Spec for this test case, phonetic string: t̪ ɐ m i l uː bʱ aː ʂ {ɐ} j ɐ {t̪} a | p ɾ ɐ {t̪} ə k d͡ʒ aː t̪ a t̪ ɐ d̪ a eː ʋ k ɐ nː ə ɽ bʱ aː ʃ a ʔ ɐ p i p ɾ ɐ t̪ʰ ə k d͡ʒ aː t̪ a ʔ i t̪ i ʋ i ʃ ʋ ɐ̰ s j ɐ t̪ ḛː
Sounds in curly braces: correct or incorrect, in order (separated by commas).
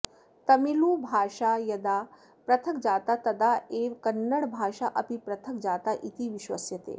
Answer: incorrect, incorrect, incorrect